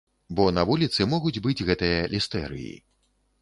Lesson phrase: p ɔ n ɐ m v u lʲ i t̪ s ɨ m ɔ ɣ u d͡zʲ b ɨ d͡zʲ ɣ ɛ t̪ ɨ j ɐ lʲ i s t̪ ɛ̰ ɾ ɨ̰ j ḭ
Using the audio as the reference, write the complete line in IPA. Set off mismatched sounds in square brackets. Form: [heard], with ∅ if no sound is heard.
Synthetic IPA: [b] ɔ n ɐ [∅] v u lʲ i t̪ s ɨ m ɔ ɣ u d͡zʲ b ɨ d͡zʲ ɣ ɛ t̪ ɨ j ɐ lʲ i s t̪ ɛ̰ ɾ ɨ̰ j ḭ